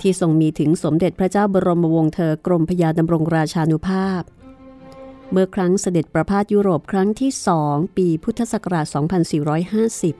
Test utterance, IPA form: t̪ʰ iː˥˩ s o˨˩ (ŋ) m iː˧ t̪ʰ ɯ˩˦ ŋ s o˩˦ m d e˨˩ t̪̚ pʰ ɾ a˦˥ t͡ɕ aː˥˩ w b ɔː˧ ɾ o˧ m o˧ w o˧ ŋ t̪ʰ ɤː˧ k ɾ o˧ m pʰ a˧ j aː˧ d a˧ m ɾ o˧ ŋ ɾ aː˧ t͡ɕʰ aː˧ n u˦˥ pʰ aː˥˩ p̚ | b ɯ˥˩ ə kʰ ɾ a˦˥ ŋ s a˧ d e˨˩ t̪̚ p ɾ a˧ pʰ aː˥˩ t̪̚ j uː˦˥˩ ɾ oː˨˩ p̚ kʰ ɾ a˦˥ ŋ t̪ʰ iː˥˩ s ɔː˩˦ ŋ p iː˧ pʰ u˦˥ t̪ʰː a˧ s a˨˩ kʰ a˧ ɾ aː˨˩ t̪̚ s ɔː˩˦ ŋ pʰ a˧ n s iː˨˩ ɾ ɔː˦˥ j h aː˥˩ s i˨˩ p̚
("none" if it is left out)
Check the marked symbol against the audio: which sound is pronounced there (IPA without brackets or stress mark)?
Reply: ŋ